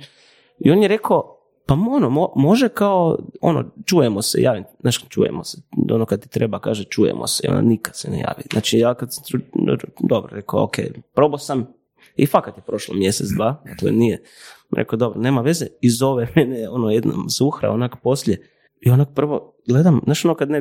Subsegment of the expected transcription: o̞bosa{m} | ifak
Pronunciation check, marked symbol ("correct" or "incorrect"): correct